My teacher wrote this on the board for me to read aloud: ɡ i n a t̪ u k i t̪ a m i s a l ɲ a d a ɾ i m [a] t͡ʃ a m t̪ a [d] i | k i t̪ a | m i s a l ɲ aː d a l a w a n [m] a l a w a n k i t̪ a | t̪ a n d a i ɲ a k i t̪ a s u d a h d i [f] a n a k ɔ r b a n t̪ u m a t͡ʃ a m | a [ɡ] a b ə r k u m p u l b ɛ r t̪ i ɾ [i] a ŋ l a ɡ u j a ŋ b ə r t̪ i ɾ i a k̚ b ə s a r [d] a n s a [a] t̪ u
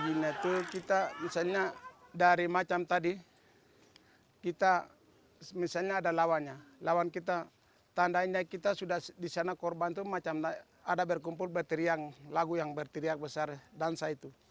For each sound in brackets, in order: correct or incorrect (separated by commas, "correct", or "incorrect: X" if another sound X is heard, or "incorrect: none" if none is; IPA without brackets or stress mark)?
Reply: correct, correct, incorrect: ɲ, incorrect: s, incorrect: d, correct, correct, incorrect: i